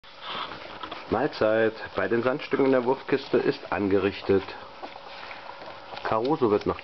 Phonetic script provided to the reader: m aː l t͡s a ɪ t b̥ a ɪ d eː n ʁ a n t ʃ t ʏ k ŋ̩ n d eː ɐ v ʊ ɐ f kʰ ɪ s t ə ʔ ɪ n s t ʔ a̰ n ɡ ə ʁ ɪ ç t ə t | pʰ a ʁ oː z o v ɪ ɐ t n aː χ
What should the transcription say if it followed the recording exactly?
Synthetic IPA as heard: m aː l t͡s a ɪ t b̥ a ɪ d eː n z a n t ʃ t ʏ k ŋ̩ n d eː ɐ v ʊ ɐ f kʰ ɪ s t ə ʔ ɪ s t ʔ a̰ n ɡ ə ʁ ɪ ç t ə t | kʰ a ʁ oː z o v ɪ ɐ t n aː χ